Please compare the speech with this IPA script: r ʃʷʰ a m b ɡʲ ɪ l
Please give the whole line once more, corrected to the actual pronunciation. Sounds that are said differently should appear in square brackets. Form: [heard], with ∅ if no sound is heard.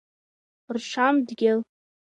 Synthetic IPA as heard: r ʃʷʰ a m [d] ɡʲ ɪ l